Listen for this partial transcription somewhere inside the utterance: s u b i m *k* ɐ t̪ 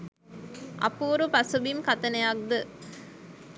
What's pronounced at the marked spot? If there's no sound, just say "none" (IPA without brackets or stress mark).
k